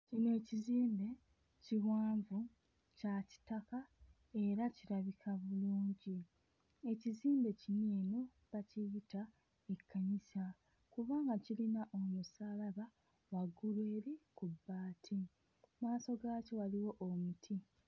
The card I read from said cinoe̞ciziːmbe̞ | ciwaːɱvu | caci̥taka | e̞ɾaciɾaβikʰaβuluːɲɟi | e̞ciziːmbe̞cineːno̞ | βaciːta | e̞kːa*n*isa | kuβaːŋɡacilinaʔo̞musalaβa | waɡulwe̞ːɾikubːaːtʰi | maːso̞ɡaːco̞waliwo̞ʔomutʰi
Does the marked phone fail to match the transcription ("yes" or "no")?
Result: yes